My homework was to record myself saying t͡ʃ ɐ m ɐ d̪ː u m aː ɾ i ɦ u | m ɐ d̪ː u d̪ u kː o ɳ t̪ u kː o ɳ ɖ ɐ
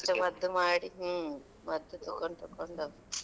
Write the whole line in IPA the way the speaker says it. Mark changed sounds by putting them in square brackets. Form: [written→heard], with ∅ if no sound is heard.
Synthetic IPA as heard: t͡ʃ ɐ m ɐ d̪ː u m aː [ɾ→ɽ] i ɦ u | m ɐ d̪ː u [d̪→t̪] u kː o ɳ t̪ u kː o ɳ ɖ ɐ